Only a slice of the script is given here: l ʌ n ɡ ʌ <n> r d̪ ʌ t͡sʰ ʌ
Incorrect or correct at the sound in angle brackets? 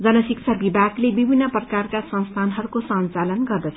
incorrect: none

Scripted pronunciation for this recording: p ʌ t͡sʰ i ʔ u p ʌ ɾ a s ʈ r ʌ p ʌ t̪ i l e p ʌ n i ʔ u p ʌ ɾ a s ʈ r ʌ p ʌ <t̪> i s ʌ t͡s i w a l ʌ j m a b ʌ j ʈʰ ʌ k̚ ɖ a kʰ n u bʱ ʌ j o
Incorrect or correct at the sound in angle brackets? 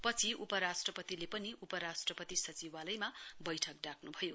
correct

